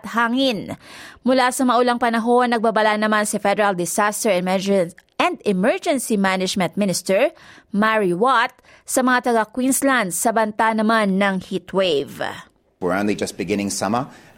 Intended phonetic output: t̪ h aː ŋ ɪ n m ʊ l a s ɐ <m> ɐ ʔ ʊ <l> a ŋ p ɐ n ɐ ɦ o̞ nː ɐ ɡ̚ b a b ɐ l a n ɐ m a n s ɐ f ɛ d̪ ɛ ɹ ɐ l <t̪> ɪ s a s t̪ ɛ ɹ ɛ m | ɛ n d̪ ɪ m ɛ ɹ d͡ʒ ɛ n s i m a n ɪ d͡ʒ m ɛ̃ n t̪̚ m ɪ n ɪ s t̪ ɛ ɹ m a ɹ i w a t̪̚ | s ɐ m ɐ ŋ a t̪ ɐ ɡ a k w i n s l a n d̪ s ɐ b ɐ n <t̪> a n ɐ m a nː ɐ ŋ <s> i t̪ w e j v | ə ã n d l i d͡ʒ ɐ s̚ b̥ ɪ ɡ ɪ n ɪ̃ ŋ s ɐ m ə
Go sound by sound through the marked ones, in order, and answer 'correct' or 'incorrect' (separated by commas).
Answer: correct, correct, incorrect, correct, incorrect